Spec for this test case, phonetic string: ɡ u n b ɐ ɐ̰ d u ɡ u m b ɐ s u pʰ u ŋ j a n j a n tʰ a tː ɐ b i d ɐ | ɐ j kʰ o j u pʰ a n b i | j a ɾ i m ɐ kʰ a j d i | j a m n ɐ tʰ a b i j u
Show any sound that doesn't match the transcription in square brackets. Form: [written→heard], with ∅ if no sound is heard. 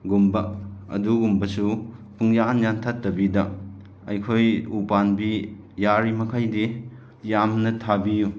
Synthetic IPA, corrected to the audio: ɡ u [n→m] b ɐ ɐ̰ d u ɡ u m b ɐ s u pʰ u ŋ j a n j a n tʰ a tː ɐ b i d ɐ | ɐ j kʰ o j u [pʰ→p] a n b i | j a ɾ i m ɐ kʰ a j d i | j a m n ɐ tʰ a b i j u